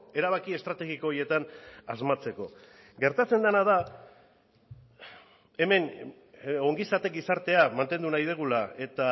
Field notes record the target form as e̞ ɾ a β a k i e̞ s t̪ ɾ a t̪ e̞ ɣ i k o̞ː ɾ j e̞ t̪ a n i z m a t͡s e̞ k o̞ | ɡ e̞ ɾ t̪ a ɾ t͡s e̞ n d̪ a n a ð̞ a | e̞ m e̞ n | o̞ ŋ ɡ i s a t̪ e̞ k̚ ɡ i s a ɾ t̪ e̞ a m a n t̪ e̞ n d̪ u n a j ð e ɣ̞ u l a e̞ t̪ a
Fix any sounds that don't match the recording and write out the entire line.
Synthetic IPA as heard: e̞ ɾ a β a k i e̞ s t̪ ɾ a t̪ e̞ ɣ i k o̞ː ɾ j e̞ t̪ a n a z m a t͡s e̞ k o̞ | ɡ e̞ ɾ t̪ a t͡s e̞ n d̪ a n a ð̞ a | e̞ m e̞ n | o̞ ŋ ɡ i s a t̪ e̞ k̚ ɡ i s a ɾ t̪ e̞ a m a n t̪ e̞ n d̪ u n a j ð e ɣ̞ u l a e̞ t̪ a